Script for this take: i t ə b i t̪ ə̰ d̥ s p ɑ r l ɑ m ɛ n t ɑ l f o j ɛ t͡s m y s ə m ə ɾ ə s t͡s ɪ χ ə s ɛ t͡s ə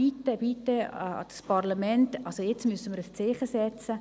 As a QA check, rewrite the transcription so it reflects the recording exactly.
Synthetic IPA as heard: i t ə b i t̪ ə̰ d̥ s p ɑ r l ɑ m ɛ n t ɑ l s o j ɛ t͡s m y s ə m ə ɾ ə s t͡s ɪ χ ə s ɛ t͡s ə